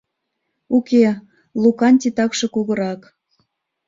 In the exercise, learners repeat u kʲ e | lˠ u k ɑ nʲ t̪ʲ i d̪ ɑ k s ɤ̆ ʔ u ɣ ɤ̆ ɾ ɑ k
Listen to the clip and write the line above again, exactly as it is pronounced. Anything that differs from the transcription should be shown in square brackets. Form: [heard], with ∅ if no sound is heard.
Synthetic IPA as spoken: u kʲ e | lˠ u k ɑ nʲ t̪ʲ i [t̪] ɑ k [ʃ] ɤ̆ [k] u ɣ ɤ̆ ɾ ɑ k